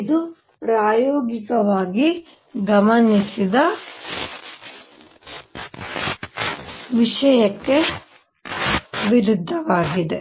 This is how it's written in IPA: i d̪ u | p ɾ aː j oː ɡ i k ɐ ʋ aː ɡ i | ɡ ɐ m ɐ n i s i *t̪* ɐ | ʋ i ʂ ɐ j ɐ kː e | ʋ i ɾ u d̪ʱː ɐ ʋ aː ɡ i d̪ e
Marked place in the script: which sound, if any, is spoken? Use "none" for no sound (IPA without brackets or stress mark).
d̪